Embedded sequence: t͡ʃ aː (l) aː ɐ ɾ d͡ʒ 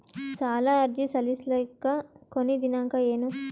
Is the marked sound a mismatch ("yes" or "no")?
no